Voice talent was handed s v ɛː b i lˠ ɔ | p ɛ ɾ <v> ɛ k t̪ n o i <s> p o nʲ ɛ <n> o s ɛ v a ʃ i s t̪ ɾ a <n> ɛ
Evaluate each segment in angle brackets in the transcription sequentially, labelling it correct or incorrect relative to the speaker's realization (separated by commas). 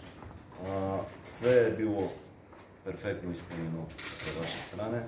incorrect, correct, correct, correct